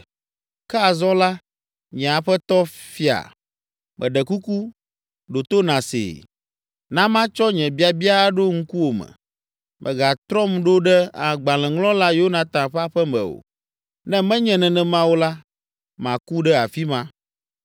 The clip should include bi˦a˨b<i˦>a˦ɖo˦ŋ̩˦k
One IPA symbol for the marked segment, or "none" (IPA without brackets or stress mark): i˦